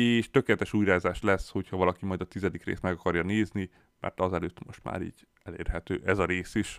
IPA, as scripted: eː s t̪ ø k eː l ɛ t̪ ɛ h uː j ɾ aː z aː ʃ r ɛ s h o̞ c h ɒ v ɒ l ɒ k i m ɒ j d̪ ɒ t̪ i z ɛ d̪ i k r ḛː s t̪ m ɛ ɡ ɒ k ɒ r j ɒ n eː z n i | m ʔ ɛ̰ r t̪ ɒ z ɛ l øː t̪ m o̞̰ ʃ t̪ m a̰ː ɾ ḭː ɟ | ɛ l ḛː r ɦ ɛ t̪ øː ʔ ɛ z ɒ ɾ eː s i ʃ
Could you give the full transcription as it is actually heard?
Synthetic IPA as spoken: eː ʃ t̪ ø k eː l ɛ t̪ ɛ ʃ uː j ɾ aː z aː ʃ l ɛ s h o̞ c h ɒ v ɒ l ɒ k i m ɒ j d̪ ɒ t̪ i z ɛ d̪ i k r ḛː s t̪ m ɛ ɡ ɒ k ɒ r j ɒ n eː z n i | m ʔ ɛ̰ r t̪ ɒ z ɛ l øː t̪ m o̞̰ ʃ t̪ m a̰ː ɾ ḭː ɟ | ɛ l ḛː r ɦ ɛ t̪ øː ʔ ɛ z ɒ ɾ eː s i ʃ